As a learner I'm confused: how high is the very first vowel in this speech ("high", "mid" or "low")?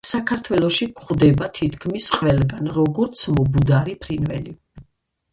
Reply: low